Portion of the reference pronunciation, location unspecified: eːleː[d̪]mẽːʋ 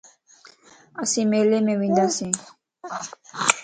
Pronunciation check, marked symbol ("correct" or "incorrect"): incorrect